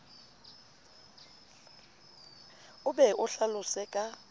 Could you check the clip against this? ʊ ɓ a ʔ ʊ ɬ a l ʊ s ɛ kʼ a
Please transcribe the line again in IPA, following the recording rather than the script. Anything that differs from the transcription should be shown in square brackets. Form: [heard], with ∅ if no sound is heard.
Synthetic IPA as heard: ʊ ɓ [ɛ] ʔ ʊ ɬ a l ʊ s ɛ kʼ a